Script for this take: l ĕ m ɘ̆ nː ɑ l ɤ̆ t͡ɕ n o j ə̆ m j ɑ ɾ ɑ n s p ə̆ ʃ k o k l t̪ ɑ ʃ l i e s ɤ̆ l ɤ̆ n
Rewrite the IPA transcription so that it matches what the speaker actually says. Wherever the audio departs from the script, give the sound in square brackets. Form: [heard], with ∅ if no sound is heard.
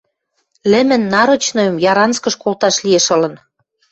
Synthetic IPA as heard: l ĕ m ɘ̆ nː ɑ [ɾ] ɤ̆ t͡ɕ n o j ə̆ m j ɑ ɾ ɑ n s [k] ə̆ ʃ k o [∅] l t̪ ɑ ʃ l i e [ʃ] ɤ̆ l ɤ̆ n